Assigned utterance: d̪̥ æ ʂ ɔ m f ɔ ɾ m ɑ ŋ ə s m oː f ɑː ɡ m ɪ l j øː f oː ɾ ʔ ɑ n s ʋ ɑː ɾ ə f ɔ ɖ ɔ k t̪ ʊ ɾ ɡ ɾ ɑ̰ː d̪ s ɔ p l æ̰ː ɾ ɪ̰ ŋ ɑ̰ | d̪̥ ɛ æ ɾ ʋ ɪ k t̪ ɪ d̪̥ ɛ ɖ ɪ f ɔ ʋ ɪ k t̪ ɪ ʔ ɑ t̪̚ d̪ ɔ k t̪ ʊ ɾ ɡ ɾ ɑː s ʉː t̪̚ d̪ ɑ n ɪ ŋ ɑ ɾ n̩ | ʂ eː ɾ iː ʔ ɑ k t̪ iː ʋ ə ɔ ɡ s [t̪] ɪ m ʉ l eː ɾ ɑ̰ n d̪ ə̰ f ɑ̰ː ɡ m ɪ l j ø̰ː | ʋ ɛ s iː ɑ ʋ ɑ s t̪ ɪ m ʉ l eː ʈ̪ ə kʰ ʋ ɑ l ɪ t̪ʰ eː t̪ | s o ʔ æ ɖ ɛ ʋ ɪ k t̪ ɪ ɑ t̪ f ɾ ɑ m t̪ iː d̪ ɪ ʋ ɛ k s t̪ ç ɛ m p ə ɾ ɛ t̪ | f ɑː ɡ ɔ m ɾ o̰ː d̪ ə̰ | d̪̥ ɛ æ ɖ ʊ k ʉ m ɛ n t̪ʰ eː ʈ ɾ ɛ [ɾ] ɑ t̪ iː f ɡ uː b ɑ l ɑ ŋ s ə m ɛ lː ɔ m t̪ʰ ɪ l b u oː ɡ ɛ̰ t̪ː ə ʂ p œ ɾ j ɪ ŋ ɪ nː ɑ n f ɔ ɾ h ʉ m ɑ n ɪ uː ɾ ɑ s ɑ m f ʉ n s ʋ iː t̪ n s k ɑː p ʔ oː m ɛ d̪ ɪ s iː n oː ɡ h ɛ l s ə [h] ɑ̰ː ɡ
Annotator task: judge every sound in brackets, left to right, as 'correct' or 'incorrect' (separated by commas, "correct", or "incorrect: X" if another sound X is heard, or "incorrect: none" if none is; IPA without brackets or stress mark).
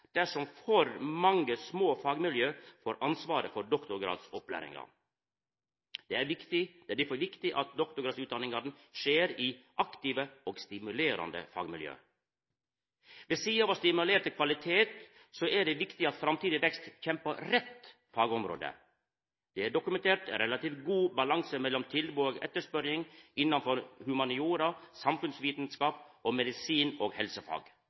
correct, incorrect: l, incorrect: f